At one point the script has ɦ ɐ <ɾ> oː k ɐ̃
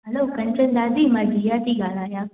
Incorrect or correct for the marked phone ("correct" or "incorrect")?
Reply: incorrect